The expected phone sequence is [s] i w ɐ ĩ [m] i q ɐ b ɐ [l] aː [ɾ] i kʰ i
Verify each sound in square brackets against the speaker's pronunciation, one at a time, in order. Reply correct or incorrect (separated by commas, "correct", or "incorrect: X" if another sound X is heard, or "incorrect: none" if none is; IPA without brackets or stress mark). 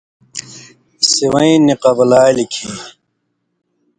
correct, incorrect: n, correct, incorrect: l